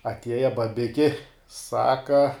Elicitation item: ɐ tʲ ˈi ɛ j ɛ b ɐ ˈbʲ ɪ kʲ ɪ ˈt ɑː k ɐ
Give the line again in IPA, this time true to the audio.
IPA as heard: ɐ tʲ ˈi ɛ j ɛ b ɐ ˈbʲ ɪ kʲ ɪ ˈs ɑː k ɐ

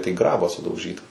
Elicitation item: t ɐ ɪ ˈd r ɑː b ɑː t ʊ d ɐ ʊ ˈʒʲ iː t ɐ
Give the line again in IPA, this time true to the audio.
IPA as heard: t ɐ ɪ ˈɡ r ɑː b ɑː s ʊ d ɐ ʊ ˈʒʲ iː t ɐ

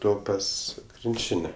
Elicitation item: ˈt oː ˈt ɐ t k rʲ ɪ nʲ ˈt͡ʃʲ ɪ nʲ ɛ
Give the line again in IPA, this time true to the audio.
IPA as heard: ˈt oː ˈp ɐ s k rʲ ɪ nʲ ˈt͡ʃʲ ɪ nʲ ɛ

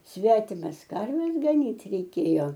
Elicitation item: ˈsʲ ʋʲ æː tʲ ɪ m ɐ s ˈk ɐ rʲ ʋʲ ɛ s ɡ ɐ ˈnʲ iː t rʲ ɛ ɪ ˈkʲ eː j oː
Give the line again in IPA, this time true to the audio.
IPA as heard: ˈsʲ ʋʲ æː tʲ ɪ m ɐ s ˈk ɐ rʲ ʋʲ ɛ s ɡ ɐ ˈnʲ iː t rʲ ɛ ɪ ˈkʲ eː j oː

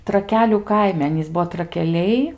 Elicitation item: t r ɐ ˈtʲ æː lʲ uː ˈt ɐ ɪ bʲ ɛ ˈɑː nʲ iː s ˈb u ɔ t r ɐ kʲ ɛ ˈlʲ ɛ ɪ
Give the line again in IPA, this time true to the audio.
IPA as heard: t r ɐ ˈkʲ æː lʲ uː ˈk ɐ ɪ mʲ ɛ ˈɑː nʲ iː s ˈb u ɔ t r ɐ kʲ ɛ ˈlʲ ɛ ɪ

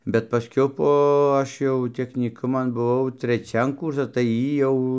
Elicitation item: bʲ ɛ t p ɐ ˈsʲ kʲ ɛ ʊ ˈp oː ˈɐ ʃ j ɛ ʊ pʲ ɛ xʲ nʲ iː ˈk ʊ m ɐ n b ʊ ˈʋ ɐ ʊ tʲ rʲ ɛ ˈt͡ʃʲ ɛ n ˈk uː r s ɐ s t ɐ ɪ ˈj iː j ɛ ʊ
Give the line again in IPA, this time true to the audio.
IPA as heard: bʲ ɛ t p ɐ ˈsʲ kʲ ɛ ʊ ˈp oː ˈɐ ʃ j ɛ ʊ tʲ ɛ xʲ nʲ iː ˈk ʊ m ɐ n b ʊ ˈʋ ɐ ʊ tʲ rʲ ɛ ˈt͡ʃʲ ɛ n ˈk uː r s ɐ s t ɐ ɪ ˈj iː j ɛ ʊ

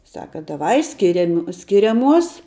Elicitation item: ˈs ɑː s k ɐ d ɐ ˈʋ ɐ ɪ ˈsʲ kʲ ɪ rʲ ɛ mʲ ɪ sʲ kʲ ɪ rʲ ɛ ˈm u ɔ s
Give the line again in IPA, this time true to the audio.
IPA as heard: ˈs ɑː k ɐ d ɐ ˈʋ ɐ ɪ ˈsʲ kʲ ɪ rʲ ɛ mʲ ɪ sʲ kʲ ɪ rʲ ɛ ˈm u ɔ s

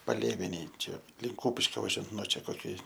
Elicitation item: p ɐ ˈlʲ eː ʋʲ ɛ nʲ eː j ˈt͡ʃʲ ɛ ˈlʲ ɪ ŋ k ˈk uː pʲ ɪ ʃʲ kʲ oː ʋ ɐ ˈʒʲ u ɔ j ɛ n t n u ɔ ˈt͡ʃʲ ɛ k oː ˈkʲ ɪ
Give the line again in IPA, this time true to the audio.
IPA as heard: p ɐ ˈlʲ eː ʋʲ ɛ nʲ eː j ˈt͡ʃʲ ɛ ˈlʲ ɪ ŋ k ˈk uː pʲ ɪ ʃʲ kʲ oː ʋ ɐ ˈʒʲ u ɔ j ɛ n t n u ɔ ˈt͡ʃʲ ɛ k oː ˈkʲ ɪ

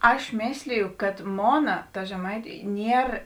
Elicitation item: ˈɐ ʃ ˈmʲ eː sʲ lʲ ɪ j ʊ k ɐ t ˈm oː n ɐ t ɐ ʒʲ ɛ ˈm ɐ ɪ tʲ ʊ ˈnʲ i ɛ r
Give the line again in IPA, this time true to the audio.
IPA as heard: ˈɐ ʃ ˈmʲ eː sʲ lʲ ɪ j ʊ k ɐ t ˈm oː n ɐ t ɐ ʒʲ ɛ ˈm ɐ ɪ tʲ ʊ ˈnʲ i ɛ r

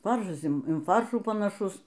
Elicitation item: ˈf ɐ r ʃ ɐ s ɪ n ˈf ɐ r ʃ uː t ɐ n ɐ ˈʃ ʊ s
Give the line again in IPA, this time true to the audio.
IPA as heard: ˈf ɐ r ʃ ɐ s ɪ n ˈf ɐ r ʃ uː p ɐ n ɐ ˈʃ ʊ s

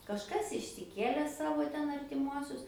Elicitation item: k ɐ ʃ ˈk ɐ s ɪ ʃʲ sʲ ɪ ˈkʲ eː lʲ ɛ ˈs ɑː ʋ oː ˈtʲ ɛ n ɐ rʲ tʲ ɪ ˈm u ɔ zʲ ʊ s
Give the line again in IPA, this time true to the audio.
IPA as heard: k ɐ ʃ ˈk ɐ s ɪ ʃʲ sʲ ɪ ˈkʲ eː lʲ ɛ ˈs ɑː ʋ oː ˈtʲ ɛ n ɐ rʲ tʲ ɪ ˈm u ɔ sʲ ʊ s

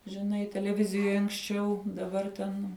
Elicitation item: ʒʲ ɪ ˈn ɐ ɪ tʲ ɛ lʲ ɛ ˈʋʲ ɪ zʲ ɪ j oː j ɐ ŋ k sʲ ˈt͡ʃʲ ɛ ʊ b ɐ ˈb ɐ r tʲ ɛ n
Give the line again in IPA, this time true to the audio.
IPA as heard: ʒʲ ɪ ˈn ɐ ɪ tʲ ɛ lʲ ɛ ˈʋʲ ɪ zʲ ɪ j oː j ɐ ŋ k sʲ ˈt͡ʃʲ ɛ ʊ d ɐ ˈb ɐ r tʲ ɛ n

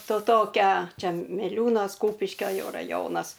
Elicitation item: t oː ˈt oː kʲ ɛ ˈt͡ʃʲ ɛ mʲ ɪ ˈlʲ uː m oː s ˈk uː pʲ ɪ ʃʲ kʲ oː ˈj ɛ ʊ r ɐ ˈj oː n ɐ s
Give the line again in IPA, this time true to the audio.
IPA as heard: t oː ˈt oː kʲ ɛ ˈt͡ʃʲ ɛ mʲ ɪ ˈlʲ uː n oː s ˈk uː pʲ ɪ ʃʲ kʲ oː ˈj ɛ ʊ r ɐ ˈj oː n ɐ s

